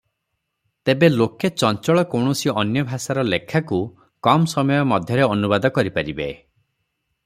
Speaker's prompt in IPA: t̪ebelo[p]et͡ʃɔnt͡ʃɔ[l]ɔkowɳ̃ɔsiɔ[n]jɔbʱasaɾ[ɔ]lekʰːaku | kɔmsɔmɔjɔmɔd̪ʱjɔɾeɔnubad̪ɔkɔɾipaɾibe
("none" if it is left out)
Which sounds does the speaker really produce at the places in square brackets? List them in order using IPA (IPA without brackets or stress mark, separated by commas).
k, ɭ, n, ɔ